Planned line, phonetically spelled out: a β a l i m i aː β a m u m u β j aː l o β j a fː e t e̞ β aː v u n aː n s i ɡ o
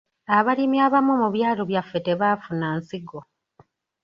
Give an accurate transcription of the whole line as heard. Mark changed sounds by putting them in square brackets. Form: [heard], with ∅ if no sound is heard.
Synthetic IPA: a β a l i m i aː β a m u m u β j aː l o β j a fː e t e̞ β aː [f] u n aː n s i ɡ o